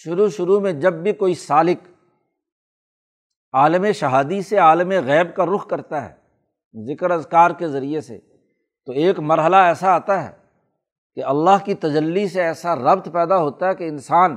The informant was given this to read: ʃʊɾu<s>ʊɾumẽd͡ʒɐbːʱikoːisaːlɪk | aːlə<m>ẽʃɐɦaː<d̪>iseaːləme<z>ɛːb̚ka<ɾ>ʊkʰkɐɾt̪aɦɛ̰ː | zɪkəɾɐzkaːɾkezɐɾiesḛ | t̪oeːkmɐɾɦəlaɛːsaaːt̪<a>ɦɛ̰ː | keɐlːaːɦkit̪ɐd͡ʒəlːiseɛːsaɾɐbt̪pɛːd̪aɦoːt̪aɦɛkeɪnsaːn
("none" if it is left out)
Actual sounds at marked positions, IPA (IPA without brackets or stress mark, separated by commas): ʃ, m, d̪, ɣ, ɾ, a